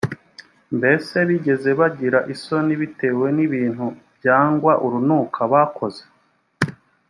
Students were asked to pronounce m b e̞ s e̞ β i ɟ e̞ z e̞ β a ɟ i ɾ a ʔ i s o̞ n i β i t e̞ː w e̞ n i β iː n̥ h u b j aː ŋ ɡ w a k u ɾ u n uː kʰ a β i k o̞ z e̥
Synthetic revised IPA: m b e̞ s e̞ β i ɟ e̞ z e̞ β a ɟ i ɾ a ʔ i s o̞ n i β i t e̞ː w e̞ n i β iː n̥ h u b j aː ŋ ɡ w a ʔ u ɾ u n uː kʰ a β a k o̞ z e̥

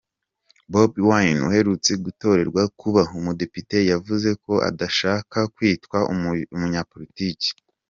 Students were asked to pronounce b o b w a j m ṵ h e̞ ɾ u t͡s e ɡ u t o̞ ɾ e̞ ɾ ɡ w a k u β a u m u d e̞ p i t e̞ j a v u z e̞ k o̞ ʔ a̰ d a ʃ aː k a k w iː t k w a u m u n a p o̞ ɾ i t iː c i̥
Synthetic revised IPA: b o b w a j n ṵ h e̞ ɾ u t͡s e ɡ u t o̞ ɾ e̞ ɾ ɡ w a k u β a u m u d e̞ p i t e̞ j a v u z e̞ k o̞ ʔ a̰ d a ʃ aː k a k w iː t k w a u m u ɲ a p o̞ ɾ i t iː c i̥

